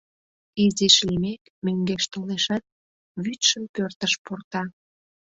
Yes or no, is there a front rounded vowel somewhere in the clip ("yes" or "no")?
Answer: yes